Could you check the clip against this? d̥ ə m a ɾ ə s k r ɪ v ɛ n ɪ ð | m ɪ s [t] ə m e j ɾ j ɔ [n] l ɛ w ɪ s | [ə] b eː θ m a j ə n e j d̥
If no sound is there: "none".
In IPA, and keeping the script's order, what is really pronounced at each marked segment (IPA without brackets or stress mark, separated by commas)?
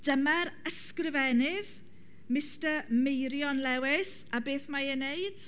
t, n, a